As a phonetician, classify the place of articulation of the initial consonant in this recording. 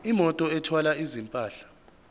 labial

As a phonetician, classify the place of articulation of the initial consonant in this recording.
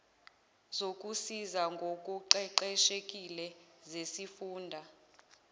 alveolar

